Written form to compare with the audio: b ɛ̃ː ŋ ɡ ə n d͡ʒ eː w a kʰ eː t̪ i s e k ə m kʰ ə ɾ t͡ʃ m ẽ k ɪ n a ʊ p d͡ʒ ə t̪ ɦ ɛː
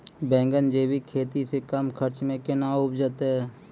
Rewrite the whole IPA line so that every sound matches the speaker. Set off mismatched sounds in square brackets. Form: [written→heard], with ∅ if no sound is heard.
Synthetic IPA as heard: b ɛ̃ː ŋ ɡ ə n d͡ʒ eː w [a→i] kʰ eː t̪ i s e k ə m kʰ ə ɾ t͡ʃ m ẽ k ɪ n a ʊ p d͡ʒ ə t̪ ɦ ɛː